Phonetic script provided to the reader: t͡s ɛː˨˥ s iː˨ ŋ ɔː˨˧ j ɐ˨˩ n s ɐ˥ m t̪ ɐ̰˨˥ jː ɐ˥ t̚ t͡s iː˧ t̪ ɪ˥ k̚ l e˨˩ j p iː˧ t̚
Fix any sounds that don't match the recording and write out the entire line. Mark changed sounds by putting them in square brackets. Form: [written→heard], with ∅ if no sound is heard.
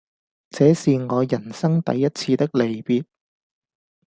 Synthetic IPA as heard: t͡s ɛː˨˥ s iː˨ ŋ ɔː˨˧ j ɐ˨˩ n s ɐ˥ [m→ŋ] t̪ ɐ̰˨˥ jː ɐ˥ t̚ [t͡s→t͡sʰ] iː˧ t̪ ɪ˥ k̚ l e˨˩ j p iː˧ t̚